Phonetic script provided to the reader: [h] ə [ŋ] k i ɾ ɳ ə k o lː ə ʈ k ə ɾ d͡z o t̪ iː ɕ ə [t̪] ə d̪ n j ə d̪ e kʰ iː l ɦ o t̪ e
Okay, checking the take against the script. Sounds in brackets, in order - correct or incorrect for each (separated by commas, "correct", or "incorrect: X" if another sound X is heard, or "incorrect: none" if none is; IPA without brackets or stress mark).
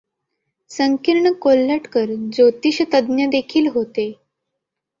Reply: incorrect: s, correct, correct